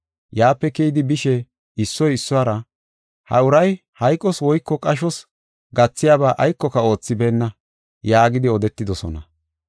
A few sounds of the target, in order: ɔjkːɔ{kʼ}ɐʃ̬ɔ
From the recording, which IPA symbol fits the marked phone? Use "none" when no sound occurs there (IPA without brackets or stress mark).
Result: kʼ